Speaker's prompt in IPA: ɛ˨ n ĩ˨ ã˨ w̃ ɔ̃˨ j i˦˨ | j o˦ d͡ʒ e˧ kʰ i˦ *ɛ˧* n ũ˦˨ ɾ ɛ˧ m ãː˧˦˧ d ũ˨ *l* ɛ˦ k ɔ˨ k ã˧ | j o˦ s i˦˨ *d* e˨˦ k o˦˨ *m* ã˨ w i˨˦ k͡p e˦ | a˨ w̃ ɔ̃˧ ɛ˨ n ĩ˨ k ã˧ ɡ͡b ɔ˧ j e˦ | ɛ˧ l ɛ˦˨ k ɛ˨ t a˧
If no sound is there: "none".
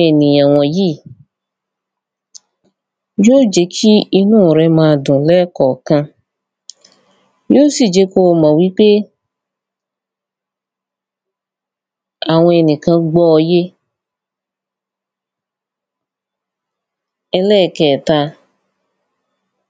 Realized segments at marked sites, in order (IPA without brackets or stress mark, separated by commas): i˧, l, d͡ʒ, m